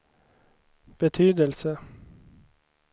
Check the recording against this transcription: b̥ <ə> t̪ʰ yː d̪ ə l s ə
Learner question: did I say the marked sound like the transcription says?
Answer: yes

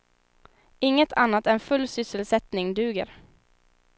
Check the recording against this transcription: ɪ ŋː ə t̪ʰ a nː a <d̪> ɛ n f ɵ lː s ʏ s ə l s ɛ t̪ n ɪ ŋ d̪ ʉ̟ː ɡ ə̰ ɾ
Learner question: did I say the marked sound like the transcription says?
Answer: no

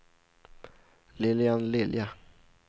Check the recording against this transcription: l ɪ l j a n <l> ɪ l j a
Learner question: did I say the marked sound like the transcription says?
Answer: yes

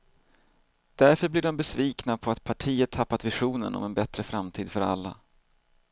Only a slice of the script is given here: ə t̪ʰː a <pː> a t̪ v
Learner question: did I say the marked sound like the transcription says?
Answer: yes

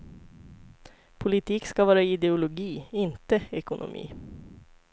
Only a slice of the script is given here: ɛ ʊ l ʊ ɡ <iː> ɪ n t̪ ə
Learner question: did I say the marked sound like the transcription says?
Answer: yes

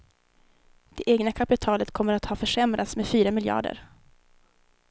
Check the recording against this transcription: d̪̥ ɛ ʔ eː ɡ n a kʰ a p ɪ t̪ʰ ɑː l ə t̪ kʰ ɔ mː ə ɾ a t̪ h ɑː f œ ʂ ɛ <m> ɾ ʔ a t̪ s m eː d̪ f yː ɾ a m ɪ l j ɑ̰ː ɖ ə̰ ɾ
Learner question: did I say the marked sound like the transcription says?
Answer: yes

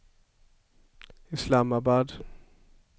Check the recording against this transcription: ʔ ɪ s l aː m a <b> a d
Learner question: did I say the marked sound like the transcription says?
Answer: yes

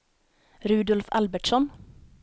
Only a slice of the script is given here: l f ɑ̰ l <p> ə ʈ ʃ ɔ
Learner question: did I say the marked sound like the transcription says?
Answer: no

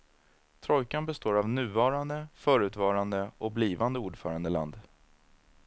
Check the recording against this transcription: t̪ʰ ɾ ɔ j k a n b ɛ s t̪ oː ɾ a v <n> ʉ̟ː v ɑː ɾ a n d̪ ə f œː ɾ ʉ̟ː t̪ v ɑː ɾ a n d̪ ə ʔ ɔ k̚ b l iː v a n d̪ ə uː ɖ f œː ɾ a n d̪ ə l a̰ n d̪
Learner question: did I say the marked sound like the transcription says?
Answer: yes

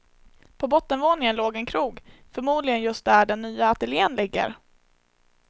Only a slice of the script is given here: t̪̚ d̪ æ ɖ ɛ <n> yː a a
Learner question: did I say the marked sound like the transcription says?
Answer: no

